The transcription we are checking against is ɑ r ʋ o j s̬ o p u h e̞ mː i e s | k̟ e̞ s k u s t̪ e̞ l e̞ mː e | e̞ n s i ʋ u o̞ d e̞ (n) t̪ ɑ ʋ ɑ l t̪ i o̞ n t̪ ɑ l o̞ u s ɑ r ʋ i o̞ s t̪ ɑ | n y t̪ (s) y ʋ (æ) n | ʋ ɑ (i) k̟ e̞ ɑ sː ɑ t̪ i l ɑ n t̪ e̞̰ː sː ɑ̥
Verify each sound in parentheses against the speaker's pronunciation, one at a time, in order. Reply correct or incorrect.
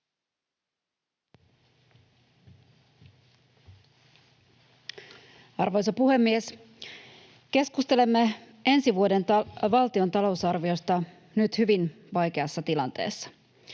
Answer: correct, incorrect: h, incorrect: i, incorrect: j

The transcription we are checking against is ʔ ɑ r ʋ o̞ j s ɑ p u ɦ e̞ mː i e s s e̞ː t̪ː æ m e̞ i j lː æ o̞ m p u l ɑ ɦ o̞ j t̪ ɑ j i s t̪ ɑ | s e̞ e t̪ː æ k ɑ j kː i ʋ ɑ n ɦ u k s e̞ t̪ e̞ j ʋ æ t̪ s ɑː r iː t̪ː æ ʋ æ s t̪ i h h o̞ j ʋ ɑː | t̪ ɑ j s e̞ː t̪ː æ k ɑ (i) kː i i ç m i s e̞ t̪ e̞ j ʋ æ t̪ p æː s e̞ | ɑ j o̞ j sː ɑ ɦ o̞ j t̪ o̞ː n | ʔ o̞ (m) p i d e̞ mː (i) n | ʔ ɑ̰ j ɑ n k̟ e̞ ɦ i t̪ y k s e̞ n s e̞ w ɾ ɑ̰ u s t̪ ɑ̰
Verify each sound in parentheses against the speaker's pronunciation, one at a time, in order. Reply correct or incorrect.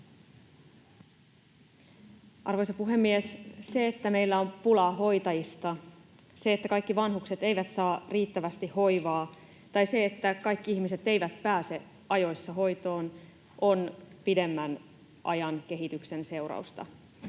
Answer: incorrect: j, incorrect: n, incorrect: æ

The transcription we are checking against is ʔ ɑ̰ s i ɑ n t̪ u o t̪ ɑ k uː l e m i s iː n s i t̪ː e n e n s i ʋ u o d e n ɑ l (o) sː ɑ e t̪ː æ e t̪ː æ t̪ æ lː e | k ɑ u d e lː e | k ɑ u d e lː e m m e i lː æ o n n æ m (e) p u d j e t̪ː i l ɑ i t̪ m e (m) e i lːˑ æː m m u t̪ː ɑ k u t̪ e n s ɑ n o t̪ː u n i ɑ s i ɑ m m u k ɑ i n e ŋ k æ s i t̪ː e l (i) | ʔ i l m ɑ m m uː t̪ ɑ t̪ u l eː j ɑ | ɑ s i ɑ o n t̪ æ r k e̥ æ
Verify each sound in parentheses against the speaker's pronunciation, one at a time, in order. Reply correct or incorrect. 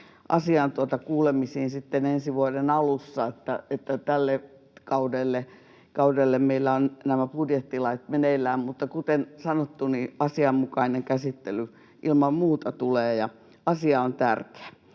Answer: incorrect: u, incorrect: æ, incorrect: n, incorrect: y

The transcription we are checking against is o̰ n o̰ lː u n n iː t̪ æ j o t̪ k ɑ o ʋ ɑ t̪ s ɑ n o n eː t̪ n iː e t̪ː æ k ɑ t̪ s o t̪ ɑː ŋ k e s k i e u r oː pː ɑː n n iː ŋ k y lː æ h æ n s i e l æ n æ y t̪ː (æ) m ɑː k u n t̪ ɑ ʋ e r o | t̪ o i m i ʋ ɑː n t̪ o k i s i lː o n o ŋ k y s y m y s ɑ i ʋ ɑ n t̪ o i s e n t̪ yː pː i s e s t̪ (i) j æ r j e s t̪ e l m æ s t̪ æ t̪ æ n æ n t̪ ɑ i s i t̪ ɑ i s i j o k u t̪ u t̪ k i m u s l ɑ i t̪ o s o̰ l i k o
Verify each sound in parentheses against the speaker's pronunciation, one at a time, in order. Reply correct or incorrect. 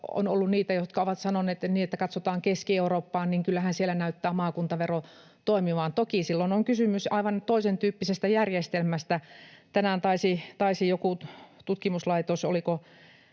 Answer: incorrect: æː, incorrect: æ

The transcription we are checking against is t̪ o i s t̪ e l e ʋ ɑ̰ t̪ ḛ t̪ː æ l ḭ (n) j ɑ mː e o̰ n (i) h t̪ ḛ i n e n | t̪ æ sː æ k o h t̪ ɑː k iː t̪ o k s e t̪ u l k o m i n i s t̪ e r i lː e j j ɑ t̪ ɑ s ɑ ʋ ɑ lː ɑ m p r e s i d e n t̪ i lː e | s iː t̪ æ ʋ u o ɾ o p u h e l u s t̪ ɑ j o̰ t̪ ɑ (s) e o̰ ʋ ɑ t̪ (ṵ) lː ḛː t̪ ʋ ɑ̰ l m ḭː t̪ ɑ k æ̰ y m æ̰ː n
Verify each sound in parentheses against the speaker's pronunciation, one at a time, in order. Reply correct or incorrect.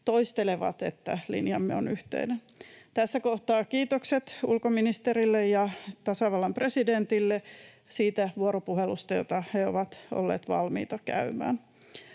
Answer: correct, incorrect: y, incorrect: h, incorrect: o̰

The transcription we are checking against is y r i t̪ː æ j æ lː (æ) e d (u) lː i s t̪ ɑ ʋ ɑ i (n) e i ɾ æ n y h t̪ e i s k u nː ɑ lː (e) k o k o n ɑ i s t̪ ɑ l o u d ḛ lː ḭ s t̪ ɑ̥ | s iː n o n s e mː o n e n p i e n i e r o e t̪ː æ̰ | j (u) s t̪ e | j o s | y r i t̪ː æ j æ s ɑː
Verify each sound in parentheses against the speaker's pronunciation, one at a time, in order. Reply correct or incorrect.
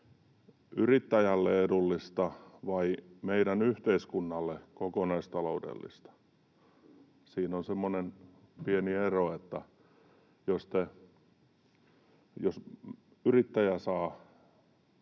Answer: incorrect: e, correct, incorrect: m, correct, incorrect: o

